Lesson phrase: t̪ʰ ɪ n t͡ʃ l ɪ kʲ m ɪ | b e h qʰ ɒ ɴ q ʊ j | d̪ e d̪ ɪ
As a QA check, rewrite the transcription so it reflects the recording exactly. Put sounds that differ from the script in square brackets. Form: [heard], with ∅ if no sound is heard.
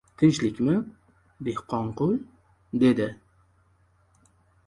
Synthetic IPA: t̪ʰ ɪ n t͡ʃ l ɪ kʲ m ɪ | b e h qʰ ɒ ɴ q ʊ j | d̪ e d̪ ɪ